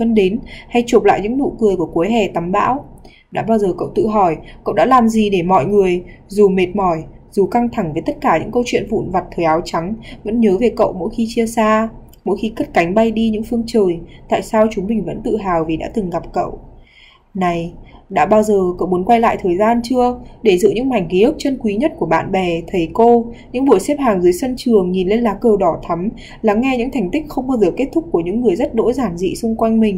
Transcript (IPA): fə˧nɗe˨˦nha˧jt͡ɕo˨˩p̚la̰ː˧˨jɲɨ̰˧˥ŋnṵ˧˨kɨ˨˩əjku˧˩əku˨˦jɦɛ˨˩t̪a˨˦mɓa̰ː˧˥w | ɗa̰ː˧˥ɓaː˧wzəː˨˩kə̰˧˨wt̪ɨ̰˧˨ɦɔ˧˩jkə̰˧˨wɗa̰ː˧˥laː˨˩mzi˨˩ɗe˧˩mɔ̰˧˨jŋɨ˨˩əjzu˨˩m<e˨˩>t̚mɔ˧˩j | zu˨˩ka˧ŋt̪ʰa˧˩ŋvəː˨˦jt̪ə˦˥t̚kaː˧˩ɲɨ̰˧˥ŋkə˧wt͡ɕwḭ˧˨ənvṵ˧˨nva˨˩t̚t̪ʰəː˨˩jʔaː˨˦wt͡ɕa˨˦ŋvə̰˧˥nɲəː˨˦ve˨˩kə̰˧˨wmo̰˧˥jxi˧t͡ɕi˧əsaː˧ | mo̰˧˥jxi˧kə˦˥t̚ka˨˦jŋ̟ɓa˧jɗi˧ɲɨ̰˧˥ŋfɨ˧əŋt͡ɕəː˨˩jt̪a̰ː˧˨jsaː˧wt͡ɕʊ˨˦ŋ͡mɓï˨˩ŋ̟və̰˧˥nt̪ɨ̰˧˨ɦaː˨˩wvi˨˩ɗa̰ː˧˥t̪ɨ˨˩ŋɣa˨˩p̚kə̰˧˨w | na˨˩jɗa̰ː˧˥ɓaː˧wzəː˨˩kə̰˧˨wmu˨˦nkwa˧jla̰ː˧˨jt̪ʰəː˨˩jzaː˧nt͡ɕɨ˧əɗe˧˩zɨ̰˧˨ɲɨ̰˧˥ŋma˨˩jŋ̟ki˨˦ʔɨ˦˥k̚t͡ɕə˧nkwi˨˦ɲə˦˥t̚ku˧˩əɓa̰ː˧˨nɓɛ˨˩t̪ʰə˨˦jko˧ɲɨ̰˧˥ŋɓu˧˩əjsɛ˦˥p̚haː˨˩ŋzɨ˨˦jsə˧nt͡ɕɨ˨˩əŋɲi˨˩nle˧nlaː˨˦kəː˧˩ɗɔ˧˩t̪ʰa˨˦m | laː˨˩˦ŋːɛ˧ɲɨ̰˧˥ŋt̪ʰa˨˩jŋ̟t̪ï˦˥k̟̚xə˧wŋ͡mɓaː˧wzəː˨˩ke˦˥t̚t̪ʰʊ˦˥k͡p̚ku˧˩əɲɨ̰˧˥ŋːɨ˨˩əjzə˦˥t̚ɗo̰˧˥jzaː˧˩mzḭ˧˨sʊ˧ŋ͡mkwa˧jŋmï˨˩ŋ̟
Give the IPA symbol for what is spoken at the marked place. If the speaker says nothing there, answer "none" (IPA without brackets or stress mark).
e˨˩